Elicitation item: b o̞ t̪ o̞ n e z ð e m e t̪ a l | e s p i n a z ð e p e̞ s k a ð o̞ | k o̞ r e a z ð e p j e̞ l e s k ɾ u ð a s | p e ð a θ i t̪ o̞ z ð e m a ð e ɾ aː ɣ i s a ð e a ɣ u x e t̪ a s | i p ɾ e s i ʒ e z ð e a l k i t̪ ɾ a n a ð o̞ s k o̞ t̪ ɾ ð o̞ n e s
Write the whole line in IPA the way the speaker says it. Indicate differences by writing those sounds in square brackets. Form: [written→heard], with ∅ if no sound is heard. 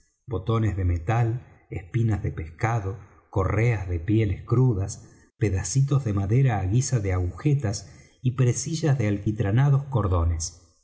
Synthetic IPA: b o̞ t̪ o̞ n e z ð e m e t̪ a l | e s p i n a z ð e p e̞ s k a ð o̞ | k o̞ r e a z ð e p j e̞ l e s k ɾ u ð a s | p e ð a [θ→s] i t̪ o̞ z ð e m a ð e ɾ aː ɣ i s a ð e a ɣ u x e t̪ a s | i p ɾ e s i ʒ [e→a] z ð e a l k i t̪ ɾ a n a ð o̞ s k o̞ [t̪→∅] ɾ ð o̞ n e s